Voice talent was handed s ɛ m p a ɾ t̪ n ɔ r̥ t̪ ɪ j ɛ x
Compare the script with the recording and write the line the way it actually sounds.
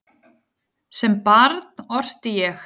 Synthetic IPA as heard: s ɛ m p a ɾ t̪ n ɔ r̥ t̪ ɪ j ɛ x